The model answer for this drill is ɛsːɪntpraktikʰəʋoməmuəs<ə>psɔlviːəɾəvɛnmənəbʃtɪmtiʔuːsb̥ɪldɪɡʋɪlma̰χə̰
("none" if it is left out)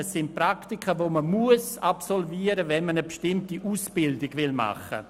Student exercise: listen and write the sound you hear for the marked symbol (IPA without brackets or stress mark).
a